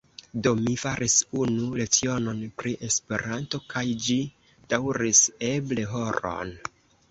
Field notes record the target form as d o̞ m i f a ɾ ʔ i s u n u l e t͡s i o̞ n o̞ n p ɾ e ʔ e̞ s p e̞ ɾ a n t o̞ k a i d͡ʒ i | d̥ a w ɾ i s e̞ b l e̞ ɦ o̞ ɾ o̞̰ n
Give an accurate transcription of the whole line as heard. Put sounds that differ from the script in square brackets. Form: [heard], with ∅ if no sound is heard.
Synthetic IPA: d o̞ m i f a ɾ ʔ i s u n u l e t͡s i o̞ n o̞ n p ɾ [i] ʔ e̞ s p e̞ ɾ a n t o̞ k a [j] d͡ʒ i | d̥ a w ɾ i s e̞ b l e̞ ɦ o̞ ɾ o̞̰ n